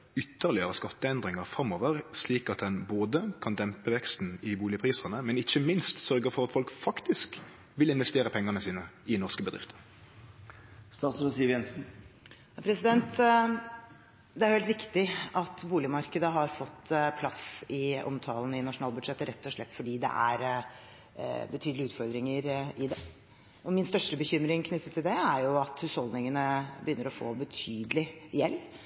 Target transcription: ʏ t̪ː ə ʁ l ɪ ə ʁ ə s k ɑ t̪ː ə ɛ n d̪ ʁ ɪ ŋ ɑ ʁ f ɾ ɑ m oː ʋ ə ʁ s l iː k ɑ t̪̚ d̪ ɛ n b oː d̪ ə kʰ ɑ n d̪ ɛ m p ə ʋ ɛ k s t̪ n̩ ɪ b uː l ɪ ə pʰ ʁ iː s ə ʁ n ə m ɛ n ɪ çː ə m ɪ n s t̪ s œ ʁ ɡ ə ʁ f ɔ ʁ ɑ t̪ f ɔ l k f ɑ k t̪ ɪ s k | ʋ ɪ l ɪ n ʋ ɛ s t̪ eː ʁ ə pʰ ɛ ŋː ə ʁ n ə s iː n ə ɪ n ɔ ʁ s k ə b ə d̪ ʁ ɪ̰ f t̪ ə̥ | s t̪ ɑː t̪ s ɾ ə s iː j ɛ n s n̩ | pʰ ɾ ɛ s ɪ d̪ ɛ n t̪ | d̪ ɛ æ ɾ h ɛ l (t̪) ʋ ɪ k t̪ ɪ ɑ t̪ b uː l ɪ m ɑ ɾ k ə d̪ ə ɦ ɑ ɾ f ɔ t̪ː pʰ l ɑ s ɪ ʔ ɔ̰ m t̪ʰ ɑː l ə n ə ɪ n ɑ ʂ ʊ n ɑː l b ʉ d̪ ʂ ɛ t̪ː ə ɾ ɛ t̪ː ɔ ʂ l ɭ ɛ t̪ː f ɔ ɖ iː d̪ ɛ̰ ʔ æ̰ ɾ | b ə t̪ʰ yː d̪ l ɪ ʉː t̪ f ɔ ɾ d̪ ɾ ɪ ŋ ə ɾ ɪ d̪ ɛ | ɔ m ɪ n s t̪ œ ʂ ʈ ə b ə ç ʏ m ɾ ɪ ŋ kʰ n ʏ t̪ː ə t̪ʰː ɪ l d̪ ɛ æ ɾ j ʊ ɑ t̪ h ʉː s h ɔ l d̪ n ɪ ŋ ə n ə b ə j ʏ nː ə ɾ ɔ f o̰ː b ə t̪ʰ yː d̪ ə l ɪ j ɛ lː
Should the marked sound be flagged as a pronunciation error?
no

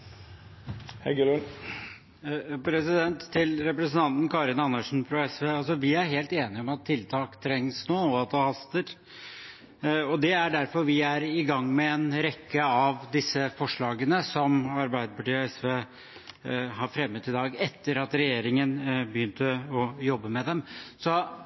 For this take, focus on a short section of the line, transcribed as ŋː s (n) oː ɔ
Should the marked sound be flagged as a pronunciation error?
no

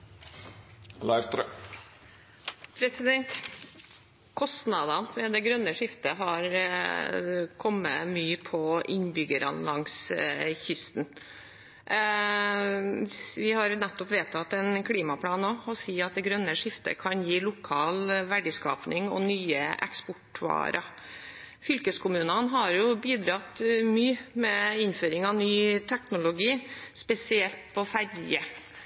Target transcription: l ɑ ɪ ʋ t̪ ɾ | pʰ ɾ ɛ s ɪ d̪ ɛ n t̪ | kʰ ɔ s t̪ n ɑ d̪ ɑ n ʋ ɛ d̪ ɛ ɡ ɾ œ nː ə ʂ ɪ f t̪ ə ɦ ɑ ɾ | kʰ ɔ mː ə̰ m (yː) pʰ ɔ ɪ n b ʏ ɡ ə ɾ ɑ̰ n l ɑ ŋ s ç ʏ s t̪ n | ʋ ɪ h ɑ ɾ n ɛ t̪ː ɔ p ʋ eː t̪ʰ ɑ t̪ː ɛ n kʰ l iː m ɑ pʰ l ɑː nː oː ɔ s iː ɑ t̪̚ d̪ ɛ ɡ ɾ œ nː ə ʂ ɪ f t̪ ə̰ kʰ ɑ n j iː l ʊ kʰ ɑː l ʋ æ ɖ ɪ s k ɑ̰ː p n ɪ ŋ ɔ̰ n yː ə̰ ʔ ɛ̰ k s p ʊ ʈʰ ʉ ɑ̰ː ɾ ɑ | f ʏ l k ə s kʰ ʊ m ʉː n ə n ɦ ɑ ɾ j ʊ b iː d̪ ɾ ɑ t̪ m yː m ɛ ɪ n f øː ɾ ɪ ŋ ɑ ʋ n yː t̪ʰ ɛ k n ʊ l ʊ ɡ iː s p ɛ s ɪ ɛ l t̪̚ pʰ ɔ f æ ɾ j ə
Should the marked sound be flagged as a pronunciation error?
no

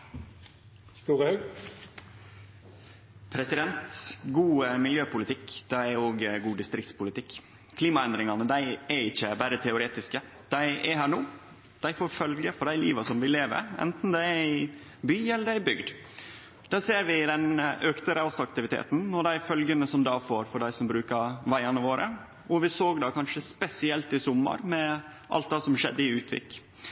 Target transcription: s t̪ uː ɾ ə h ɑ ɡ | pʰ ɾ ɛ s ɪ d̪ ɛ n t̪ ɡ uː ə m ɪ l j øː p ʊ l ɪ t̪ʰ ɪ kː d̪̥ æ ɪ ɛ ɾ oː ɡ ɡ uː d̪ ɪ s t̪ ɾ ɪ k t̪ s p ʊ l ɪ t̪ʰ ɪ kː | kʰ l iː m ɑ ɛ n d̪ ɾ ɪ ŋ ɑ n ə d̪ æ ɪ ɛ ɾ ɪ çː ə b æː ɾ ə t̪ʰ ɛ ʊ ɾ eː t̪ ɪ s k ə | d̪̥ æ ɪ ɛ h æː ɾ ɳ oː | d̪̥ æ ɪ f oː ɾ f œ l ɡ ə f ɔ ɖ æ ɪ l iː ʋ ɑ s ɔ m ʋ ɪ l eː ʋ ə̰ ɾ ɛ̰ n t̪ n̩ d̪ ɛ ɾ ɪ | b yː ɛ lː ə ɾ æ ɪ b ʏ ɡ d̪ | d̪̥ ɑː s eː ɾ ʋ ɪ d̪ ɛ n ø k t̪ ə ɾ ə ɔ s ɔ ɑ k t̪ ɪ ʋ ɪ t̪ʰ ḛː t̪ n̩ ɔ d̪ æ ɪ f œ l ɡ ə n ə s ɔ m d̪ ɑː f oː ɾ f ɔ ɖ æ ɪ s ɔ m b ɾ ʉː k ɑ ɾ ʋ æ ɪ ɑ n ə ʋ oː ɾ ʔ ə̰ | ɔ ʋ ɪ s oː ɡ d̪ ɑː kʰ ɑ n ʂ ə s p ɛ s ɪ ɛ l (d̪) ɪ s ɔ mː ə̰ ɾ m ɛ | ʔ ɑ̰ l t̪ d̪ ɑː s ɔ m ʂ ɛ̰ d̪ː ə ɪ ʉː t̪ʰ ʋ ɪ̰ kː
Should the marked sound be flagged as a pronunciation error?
yes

